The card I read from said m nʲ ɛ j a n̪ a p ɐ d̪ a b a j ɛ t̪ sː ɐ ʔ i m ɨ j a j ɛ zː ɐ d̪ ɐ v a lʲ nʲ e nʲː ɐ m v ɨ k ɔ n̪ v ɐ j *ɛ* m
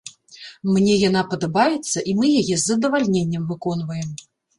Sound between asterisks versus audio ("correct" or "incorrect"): correct